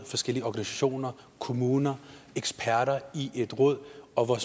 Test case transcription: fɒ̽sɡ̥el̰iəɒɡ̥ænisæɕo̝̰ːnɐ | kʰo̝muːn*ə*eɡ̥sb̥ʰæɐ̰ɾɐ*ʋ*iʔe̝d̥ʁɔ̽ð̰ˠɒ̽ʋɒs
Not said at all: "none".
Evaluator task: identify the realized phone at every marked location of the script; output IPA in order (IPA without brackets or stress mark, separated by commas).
ɐ, none